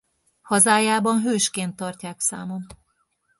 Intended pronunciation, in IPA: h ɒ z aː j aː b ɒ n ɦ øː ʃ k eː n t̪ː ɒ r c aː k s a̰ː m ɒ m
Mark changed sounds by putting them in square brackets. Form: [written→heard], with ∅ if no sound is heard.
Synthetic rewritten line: h ɒ z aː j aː b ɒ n ɦ øː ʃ k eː n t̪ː ɒ r c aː k s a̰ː m [ɒ→o] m